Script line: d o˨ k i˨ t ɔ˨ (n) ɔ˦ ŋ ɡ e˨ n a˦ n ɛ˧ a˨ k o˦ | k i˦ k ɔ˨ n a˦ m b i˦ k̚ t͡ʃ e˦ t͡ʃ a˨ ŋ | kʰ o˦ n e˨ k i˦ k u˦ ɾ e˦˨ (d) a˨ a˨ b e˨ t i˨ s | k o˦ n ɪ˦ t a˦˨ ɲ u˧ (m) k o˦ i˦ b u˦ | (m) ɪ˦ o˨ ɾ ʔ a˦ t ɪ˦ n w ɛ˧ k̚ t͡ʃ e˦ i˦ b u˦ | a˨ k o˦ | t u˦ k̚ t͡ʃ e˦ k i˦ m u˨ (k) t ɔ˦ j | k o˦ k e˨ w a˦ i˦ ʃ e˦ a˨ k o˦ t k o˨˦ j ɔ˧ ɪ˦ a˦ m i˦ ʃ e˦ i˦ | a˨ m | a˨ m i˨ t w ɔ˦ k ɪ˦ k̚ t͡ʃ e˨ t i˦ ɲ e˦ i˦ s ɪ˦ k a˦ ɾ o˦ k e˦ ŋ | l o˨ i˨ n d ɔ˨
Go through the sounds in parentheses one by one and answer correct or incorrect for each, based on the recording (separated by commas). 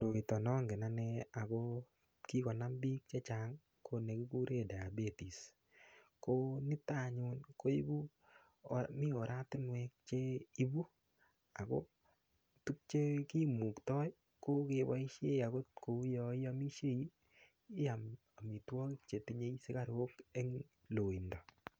correct, correct, incorrect, correct, correct